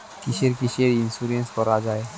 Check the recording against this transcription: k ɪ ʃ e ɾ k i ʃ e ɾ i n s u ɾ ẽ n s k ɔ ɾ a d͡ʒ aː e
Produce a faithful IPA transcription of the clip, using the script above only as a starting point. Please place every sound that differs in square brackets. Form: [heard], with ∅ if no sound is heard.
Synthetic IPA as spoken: k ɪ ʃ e ɾ k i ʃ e ɾ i n s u ɾ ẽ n s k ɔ ɾ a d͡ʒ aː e